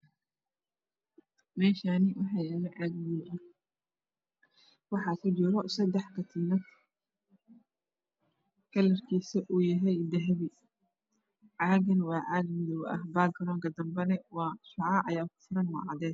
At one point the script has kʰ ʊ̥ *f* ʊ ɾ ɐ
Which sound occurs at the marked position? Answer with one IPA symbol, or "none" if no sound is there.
f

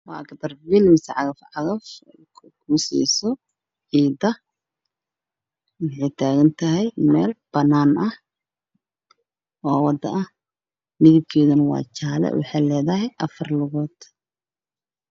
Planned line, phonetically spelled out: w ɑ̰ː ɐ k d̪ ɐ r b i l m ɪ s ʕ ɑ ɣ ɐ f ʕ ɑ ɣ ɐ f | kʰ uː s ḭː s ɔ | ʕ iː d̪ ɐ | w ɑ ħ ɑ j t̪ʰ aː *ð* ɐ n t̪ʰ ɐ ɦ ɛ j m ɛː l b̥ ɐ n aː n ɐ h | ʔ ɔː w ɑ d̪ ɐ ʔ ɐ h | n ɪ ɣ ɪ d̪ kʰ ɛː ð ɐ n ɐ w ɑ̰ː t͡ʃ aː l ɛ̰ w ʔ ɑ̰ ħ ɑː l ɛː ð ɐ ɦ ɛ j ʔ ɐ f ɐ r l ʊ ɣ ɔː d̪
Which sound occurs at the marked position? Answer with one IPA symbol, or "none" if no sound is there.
ɣ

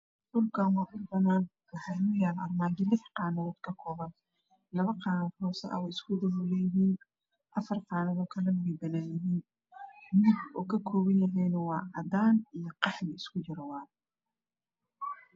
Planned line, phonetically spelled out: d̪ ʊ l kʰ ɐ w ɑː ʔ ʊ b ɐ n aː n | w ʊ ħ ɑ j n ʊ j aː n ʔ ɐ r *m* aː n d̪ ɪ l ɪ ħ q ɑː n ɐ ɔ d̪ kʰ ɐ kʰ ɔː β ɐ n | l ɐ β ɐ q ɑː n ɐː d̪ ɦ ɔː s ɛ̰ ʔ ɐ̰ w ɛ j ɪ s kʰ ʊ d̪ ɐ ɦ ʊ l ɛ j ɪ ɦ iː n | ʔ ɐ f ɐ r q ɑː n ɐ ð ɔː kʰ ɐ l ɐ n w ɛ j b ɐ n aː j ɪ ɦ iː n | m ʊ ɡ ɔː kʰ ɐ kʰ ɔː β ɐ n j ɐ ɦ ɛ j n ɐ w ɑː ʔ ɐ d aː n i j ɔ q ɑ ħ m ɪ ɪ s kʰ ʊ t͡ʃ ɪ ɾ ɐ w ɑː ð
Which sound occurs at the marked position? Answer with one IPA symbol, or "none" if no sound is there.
m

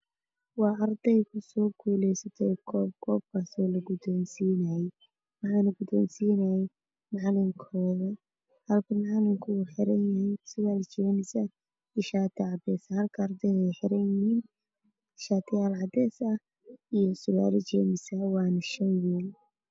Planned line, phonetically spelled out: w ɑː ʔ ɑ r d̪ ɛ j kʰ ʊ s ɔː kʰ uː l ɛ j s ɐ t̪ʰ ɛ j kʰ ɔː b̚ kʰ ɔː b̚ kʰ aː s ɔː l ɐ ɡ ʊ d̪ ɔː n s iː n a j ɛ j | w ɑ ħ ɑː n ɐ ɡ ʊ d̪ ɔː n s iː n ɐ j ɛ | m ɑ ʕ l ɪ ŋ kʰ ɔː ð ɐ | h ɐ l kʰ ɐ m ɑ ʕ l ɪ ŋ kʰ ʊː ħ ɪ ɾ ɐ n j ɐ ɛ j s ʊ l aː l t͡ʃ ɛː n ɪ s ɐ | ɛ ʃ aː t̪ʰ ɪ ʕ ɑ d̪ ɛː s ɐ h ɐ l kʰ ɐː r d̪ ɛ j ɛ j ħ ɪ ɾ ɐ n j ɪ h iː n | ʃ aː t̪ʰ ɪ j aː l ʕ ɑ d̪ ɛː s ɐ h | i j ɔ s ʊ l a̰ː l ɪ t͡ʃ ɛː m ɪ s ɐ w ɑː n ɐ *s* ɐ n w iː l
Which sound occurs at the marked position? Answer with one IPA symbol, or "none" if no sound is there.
ʃ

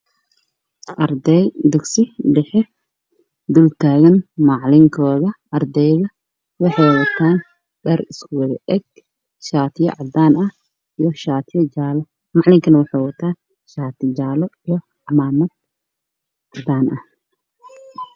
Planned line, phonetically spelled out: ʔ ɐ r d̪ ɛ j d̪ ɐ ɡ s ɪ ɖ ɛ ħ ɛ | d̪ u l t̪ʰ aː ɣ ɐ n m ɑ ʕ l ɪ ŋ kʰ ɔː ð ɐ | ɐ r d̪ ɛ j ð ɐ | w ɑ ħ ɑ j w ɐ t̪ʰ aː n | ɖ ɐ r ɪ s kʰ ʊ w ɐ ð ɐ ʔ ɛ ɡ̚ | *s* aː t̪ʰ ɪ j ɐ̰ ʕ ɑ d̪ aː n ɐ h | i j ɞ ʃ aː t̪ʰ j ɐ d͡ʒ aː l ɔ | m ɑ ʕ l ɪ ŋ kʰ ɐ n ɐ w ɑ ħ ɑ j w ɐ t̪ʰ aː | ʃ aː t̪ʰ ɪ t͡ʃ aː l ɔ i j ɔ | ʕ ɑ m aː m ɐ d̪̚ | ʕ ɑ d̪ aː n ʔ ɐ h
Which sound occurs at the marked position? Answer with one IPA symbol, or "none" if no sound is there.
ʃ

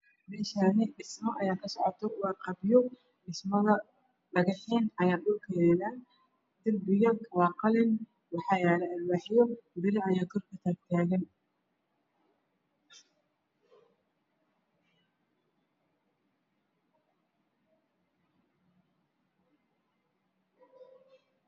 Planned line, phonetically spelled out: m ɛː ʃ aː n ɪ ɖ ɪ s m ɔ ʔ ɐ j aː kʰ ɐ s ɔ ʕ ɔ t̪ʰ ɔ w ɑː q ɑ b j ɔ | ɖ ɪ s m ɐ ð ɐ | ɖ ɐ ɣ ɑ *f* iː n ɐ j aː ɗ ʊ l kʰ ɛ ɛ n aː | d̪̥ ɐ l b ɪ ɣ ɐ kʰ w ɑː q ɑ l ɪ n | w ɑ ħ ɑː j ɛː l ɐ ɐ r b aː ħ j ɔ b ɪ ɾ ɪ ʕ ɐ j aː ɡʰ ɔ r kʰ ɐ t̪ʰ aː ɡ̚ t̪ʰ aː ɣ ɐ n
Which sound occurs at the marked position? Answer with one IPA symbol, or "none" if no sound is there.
ħ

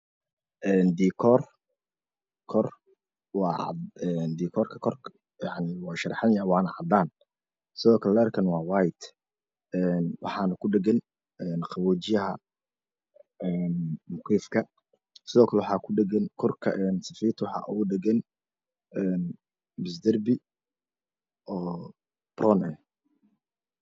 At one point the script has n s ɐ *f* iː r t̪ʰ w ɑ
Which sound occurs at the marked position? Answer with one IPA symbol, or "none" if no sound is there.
f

